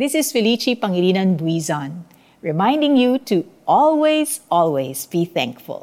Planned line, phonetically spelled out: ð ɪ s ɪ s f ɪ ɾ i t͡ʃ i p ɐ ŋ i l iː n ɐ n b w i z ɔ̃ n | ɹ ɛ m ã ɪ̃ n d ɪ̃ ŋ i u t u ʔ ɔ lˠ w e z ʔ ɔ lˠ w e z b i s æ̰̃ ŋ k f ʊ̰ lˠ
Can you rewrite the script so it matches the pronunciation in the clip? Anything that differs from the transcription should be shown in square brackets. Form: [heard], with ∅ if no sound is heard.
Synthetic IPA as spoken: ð ɪ s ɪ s f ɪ [l] i t͡ʃ i p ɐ ŋ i l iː n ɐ n b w i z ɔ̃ n | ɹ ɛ m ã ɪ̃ n d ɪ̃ ŋ [j] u t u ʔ ɔ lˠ w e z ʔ ɔ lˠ w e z b i [θ] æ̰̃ ŋ k f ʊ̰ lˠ